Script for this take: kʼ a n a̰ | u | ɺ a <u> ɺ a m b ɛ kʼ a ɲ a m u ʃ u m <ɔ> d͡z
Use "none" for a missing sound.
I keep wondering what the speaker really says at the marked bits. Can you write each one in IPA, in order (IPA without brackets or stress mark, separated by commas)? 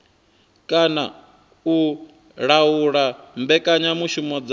u, ɔ